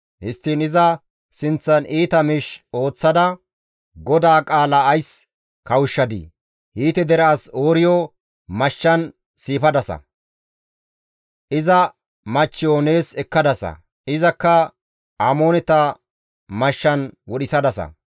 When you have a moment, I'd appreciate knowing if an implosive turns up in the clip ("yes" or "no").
yes